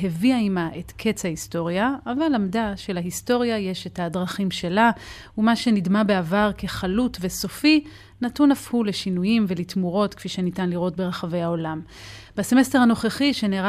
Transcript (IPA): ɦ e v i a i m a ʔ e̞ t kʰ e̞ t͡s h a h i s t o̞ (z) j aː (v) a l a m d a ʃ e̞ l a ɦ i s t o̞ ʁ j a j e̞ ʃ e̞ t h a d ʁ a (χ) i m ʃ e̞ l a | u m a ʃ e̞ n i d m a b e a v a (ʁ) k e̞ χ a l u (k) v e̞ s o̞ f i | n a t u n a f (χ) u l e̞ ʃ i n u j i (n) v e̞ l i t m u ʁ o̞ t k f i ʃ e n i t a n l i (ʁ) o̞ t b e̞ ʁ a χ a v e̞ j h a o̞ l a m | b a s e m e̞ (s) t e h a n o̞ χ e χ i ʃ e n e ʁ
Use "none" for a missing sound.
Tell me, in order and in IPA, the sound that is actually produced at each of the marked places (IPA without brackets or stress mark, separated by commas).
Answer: ʁ, v, χ, ʁ, t, h, m, ʁ, s